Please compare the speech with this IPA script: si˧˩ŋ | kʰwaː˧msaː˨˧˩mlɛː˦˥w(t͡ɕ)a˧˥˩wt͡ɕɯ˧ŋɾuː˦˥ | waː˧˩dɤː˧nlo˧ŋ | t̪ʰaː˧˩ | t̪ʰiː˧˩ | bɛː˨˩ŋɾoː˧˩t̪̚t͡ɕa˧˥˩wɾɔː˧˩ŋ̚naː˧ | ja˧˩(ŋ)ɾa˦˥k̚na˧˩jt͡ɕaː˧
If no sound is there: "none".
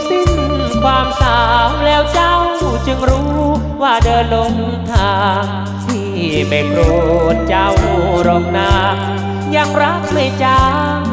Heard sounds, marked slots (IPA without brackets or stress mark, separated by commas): t͡ɕ, ŋ